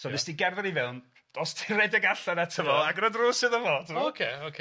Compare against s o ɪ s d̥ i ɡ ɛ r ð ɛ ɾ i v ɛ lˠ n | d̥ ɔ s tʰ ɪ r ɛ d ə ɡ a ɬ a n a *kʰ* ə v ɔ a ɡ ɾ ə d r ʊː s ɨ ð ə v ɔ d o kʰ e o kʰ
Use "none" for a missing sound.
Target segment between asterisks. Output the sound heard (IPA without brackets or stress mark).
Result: tʰ